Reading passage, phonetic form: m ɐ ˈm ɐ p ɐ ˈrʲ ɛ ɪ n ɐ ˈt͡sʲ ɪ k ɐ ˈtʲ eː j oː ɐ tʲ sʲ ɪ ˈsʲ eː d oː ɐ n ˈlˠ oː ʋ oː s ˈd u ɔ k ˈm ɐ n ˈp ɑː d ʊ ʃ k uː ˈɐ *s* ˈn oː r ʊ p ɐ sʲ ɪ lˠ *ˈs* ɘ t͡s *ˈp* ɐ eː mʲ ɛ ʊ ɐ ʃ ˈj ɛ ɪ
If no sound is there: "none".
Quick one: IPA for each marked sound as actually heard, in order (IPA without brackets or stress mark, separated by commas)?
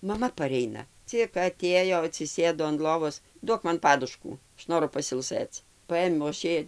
ʃ, s, p